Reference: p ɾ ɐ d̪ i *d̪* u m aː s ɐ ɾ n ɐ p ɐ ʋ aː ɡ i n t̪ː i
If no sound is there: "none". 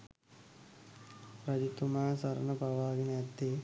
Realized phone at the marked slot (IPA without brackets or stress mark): t̪